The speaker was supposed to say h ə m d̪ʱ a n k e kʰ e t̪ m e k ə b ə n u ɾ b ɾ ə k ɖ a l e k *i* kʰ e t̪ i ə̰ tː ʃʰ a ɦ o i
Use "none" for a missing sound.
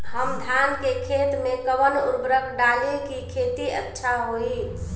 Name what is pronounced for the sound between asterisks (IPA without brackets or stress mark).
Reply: i